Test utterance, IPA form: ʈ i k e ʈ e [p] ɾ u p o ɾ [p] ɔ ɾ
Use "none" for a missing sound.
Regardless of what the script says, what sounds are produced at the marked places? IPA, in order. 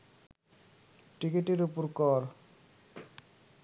none, k

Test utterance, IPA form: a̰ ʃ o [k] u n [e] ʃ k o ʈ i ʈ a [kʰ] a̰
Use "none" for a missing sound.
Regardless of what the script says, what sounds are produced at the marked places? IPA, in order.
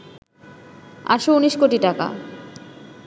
none, i, k

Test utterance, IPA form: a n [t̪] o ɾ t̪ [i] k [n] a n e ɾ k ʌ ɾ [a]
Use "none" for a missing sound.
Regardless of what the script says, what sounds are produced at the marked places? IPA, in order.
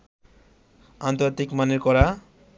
t̪, i, m, a

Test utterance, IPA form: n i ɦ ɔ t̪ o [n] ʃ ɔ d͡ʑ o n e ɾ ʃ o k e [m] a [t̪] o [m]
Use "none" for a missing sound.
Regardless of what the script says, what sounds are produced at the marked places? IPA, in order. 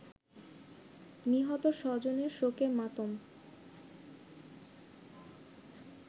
none, m, t̪, m

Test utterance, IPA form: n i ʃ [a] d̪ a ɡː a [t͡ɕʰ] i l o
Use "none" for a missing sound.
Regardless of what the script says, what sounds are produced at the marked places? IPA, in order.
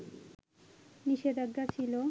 e, t͡ɕʰ

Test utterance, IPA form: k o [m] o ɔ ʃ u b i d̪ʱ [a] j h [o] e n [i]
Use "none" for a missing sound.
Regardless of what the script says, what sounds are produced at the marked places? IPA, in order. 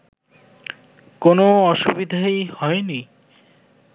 n, a, ɔ, i

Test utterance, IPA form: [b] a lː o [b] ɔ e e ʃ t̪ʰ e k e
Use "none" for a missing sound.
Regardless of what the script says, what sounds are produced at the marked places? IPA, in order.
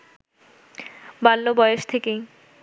b, b

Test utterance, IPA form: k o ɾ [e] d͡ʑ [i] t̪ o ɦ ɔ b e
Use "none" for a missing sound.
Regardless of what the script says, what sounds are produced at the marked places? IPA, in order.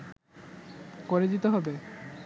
e, i

